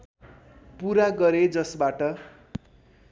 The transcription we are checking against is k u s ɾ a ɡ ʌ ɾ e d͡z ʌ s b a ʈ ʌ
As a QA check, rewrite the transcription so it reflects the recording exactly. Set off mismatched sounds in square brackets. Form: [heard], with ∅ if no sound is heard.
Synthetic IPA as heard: [p] u [∅] ɾ a ɡ ʌ ɾ e d͡z ʌ s b a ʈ ʌ